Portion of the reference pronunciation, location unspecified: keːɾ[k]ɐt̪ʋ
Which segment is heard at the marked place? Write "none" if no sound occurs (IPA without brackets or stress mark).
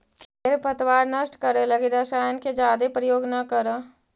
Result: p